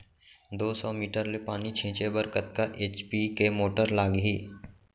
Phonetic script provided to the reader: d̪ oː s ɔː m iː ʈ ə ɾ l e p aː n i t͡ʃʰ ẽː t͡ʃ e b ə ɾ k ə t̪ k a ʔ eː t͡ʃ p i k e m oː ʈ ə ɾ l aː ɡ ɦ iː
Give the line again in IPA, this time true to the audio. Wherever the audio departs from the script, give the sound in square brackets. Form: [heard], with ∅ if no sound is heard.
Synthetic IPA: d̪ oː s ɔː m iː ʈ ə ɾ l e p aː n i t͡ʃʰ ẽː t͡ʃ e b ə ɾ k ə t̪ k a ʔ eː t͡ʃ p i k e m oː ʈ ə ɾ l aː ɡ ɦ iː